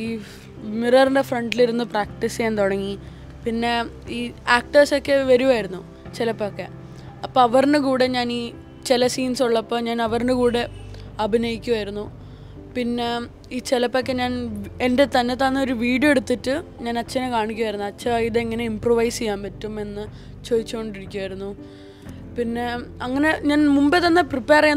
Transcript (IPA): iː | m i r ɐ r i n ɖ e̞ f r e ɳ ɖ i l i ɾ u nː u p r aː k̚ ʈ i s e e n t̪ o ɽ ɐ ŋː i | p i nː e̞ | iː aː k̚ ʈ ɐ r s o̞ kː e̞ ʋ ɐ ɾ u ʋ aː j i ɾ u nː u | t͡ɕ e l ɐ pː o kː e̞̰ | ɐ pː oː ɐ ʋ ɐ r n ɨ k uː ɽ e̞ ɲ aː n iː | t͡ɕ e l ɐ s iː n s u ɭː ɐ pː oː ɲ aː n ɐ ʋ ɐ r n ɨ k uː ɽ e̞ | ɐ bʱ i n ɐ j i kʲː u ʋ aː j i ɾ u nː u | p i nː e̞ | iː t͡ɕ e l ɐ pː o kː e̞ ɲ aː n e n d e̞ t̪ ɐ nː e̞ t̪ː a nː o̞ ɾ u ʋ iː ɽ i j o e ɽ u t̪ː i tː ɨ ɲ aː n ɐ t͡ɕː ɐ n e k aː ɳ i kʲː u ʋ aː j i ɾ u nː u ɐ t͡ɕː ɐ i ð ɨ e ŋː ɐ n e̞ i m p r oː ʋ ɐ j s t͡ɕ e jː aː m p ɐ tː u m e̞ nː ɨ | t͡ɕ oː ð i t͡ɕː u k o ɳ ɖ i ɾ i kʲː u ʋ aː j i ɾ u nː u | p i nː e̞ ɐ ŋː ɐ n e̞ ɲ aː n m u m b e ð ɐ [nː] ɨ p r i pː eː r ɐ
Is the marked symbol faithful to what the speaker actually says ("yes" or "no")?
yes